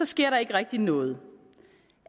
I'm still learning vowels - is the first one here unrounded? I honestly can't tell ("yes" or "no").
no